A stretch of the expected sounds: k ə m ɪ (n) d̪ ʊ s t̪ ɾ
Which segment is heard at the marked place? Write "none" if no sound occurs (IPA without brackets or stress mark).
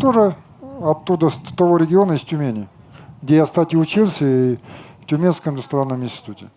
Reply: n